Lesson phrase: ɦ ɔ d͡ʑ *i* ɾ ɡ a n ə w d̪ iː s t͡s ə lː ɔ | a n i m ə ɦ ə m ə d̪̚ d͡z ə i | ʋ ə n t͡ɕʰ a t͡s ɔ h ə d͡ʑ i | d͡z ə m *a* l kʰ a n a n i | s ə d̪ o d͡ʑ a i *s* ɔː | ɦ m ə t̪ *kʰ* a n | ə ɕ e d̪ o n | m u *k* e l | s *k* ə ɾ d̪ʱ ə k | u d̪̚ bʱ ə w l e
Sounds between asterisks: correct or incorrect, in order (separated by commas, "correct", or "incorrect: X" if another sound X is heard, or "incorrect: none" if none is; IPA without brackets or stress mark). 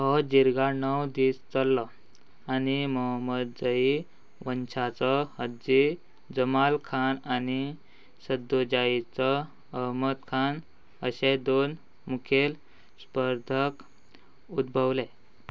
correct, correct, incorrect: t͡s, correct, incorrect: kʰ, incorrect: p